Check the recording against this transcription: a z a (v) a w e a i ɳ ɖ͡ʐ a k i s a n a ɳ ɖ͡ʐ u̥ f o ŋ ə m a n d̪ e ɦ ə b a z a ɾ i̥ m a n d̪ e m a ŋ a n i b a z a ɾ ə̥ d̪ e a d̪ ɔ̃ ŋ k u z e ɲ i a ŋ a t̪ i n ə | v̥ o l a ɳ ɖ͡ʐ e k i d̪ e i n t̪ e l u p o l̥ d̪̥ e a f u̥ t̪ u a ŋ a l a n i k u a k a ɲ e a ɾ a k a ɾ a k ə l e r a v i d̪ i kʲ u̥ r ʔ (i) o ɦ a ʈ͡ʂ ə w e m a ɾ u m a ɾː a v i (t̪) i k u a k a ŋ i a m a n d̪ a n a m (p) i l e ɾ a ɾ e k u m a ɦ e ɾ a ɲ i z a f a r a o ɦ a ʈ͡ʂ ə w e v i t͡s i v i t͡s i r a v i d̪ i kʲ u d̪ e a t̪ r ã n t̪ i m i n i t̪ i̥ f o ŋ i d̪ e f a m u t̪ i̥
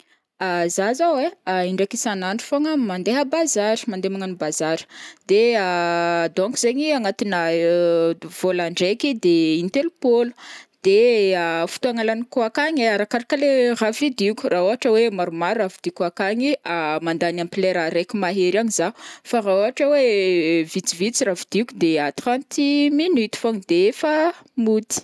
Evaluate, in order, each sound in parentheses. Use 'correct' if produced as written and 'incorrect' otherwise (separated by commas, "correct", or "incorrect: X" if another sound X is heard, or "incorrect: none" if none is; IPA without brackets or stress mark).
incorrect: z, incorrect: a, incorrect: d̪, correct